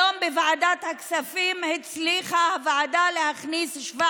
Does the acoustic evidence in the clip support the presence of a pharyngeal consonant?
yes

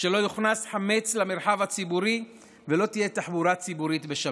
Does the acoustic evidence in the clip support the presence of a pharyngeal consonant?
yes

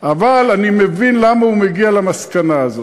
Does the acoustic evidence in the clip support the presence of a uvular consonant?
no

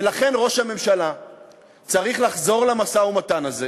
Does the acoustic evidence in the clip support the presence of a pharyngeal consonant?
no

